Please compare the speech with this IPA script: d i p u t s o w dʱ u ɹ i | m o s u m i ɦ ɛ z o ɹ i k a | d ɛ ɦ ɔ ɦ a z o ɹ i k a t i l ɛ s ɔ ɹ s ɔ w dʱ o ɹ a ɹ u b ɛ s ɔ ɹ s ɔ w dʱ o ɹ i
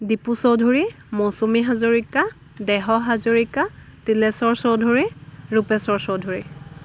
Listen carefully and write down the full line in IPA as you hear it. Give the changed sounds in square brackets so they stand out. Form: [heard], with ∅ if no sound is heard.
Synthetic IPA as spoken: d i p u [∅] s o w dʱ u ɹ i | m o s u m i ɦ [a] z o ɹ i k a | d ɛ ɦ ɔ ɦ a z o ɹ i k a t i l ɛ s ɔ ɹ s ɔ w dʱ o ɹ [i] ɹ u [p] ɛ s ɔ ɹ s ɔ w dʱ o ɹ i